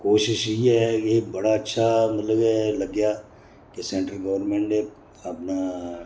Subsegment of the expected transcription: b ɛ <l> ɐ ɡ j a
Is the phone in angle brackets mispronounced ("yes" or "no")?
no